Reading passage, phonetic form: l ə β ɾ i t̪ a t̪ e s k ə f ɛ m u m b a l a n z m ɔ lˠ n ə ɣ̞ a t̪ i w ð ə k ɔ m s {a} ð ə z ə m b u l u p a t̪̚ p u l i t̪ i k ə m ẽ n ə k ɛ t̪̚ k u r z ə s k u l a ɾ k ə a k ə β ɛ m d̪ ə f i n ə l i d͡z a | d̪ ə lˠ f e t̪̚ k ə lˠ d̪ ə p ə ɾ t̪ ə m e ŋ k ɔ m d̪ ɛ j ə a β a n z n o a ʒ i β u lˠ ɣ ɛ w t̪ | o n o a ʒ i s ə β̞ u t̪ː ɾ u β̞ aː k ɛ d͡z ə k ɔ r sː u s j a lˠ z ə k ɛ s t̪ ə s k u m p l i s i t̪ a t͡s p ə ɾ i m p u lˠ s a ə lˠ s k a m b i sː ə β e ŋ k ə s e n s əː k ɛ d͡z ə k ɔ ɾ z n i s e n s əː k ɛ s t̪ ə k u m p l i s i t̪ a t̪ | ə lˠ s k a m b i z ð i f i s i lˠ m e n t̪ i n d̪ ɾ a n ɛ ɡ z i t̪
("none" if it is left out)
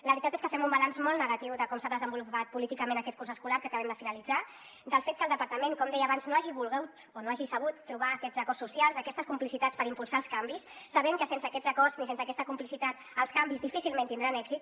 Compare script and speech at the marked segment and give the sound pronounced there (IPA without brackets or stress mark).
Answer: a